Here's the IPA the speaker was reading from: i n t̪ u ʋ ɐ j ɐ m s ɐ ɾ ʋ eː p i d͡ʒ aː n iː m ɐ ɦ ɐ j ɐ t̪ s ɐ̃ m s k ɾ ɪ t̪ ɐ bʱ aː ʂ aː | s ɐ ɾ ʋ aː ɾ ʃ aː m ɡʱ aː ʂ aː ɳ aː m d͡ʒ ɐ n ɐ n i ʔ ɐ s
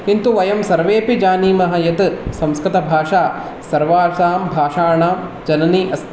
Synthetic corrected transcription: i n t̪ u ʋ ɐ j ɐ m s ɐ ɾ ʋ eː p i d͡ʒ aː n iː m ɐ ɦ ɐ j ɐ t̪ s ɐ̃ m s k ɾ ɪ t̪ ɐ bʱ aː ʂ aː | s ɐ ɾ ʋ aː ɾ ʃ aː m bʱ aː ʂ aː ɳ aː m d͡ʒ ɐ n ɐ n i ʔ ɐ s